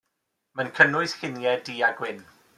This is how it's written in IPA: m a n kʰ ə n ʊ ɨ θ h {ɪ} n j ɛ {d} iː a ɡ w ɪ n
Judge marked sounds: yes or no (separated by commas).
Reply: yes, yes